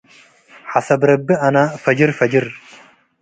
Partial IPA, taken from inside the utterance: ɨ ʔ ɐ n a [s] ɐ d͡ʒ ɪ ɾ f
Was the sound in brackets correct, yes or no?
no